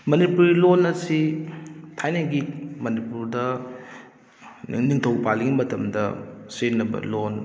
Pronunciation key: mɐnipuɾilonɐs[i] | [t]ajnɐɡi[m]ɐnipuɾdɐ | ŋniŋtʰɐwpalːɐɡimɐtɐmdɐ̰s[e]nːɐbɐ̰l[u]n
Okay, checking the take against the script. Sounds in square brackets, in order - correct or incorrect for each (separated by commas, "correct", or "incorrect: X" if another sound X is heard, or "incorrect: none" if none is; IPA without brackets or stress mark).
correct, incorrect: tʰ, correct, correct, incorrect: o